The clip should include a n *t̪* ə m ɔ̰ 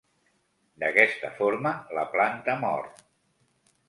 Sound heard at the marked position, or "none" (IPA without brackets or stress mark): t̪